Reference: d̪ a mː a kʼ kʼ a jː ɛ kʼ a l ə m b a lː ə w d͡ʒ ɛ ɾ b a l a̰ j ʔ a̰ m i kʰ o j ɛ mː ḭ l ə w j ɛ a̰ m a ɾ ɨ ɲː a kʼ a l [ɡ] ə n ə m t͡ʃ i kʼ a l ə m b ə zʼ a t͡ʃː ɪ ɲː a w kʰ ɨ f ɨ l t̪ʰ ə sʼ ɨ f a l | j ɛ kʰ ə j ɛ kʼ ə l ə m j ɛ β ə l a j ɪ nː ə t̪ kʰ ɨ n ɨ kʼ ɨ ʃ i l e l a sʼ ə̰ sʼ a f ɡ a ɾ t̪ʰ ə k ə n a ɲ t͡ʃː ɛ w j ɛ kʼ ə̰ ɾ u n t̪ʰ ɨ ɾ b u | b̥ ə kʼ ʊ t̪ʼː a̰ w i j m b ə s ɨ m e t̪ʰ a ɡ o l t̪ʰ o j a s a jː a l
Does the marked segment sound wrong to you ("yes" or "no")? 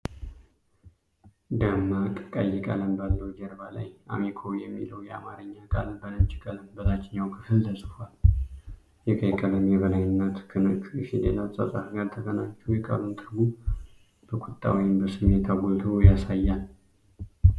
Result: yes